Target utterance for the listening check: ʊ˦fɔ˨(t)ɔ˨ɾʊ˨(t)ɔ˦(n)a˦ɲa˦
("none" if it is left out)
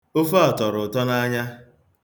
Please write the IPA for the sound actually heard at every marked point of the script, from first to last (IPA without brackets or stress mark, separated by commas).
t, t, n